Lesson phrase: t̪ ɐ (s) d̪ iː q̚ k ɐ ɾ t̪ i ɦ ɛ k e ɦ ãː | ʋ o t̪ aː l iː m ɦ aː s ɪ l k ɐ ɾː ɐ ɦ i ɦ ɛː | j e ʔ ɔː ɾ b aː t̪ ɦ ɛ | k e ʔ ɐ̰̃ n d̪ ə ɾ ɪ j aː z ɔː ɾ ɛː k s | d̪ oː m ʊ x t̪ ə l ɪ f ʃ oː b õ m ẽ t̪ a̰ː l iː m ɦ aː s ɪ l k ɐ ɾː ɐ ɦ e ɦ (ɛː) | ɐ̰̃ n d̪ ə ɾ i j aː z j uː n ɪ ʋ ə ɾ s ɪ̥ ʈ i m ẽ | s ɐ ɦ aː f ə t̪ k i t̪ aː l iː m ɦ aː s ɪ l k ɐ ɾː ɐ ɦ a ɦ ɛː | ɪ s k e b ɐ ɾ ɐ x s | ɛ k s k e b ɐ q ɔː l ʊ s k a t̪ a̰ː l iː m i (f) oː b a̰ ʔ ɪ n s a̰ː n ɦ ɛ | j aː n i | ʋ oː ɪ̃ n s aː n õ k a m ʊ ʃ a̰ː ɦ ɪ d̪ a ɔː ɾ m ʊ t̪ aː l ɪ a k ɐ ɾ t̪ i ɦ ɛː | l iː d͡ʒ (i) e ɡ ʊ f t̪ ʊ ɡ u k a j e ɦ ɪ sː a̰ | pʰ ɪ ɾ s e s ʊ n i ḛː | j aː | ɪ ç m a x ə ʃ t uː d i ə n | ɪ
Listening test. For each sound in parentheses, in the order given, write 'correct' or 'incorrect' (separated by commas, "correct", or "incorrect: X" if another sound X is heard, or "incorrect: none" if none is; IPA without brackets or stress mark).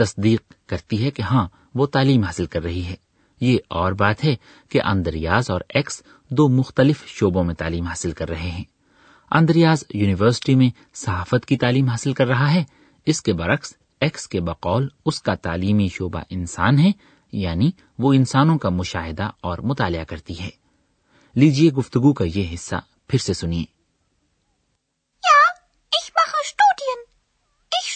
correct, incorrect: ɛ̃ː, incorrect: ʃ, correct